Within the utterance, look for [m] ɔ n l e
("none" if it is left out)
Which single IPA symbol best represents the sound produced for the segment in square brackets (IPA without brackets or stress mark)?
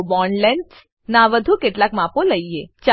b